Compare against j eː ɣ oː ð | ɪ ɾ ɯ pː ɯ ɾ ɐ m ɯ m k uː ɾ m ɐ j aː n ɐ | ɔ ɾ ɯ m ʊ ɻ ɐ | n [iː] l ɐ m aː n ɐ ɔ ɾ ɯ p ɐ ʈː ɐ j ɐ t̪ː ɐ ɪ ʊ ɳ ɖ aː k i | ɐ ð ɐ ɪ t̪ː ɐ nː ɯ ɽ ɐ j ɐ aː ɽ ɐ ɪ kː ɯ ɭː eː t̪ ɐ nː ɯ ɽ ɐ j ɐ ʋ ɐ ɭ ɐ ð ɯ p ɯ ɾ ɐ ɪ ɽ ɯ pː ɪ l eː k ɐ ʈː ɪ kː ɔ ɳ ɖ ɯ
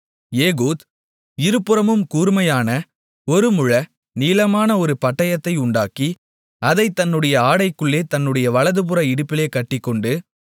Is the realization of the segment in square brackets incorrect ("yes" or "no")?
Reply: no